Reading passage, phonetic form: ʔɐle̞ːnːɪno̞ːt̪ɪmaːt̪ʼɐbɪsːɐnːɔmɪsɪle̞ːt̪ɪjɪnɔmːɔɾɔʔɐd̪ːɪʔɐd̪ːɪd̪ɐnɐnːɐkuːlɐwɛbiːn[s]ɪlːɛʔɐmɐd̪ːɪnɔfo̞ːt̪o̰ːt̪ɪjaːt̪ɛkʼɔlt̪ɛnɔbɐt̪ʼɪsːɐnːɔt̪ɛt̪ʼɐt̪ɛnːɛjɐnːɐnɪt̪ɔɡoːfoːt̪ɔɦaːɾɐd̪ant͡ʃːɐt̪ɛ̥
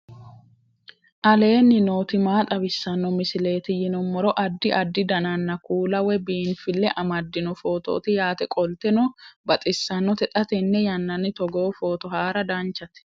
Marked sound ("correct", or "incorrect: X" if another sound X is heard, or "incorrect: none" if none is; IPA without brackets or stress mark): incorrect: f